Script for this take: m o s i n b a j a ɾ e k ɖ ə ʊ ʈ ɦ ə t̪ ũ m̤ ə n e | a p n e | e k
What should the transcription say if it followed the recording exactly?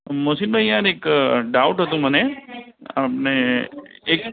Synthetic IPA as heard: m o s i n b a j a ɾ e k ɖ a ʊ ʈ ɦ ə t̪ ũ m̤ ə n e | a p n e | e k